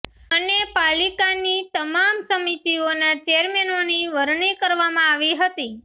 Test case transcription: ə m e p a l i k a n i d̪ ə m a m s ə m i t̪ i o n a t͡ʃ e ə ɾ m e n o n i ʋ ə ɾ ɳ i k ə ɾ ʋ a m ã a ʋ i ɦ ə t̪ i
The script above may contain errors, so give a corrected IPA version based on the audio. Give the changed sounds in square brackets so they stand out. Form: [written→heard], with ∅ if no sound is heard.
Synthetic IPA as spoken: ə [m→n] e p a l i k a n i [d̪→t̪] ə m a m s ə m i t̪ i o n a t͡ʃ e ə ɾ m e n o n i ʋ ə ɾ ɳ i k ə ɾ ʋ a m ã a ʋ i ɦ ə t̪ i